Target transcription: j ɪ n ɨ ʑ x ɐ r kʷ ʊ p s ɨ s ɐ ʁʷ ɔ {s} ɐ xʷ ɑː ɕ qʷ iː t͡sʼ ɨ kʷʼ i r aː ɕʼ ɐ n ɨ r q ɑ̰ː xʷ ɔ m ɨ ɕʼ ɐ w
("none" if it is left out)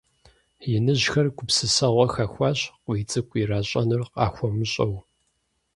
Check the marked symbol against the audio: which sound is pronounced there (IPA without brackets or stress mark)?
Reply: x